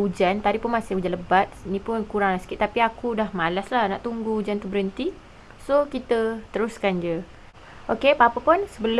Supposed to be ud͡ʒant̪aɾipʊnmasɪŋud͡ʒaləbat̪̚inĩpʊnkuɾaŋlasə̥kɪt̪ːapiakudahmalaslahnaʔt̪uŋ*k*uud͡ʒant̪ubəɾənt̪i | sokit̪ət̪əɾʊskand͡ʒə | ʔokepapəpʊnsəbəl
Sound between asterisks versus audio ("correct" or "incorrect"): incorrect